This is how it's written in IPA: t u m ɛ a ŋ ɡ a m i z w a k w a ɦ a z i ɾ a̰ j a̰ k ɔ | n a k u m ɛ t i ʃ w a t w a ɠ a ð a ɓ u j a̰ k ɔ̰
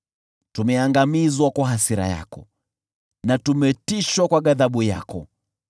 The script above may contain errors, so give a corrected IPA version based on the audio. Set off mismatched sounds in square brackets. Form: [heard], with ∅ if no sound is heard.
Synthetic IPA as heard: t u m ɛ a ŋ ɡ a m i z w a k w a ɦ a [s] i ɾ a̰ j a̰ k ɔ | n a [t] u m ɛ t i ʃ w a [k] w a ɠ a ð a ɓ u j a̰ k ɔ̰

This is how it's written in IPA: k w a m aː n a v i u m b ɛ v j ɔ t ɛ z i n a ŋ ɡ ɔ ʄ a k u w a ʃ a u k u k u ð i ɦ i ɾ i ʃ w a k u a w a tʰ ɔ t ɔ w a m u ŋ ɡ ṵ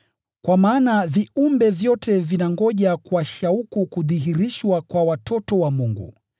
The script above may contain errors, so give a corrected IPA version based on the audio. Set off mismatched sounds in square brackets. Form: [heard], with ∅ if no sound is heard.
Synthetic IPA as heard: k w a m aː n a v i u m b ɛ v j ɔ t ɛ [v] i n a ŋ ɡ ɔ ʄ a k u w a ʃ a u k u k u ð i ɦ i ɾ i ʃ w a k [w] a w a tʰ ɔ t ɔ w a m u ŋ ɡ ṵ

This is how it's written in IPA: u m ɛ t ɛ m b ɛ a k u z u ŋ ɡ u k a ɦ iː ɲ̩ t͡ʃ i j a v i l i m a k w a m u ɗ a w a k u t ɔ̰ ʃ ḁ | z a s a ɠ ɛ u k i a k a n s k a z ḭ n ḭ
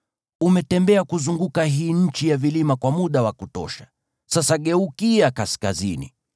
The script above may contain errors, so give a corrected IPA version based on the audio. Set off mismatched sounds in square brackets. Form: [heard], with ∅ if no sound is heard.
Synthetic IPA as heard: u m ɛ t ɛ m b ɛ a k u z u ŋ ɡ u k a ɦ iː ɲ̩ t͡ʃ i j a v i l i m a k w a m u ɗ a w a k u t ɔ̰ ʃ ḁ | [s] a s a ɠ ɛ u k i a k a [∅] s k a z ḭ n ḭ

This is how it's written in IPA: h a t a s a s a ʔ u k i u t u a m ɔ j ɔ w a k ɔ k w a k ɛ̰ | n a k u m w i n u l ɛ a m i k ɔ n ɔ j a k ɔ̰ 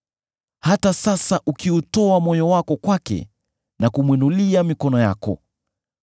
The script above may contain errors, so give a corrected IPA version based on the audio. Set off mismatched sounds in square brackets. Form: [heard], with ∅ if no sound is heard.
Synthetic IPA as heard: h a t a s a s a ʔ u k i u t [ɔ] a m ɔ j ɔ w a k ɔ k w a k ɛ̰ | n a k u m w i n u l [i] a m i k ɔ n ɔ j a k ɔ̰

